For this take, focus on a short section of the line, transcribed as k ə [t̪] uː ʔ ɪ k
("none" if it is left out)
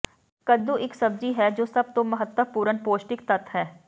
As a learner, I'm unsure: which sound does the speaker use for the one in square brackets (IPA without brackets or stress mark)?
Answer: d̪